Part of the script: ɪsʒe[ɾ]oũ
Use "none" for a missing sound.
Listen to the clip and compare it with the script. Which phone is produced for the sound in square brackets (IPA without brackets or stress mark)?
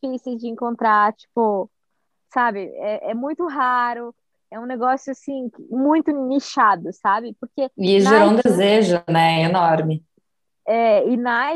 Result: ɾ